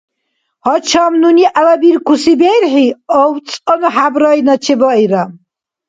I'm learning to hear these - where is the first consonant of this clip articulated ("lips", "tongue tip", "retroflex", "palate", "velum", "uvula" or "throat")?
throat